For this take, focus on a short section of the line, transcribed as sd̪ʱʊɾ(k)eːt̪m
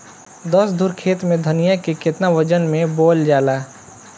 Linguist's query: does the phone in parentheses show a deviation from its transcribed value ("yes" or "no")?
yes